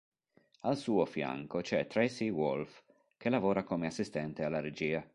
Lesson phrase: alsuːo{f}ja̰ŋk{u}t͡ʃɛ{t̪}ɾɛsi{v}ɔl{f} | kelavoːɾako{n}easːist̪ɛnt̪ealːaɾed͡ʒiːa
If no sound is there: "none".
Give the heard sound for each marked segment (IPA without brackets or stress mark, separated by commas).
f, o, t̪, w, f, m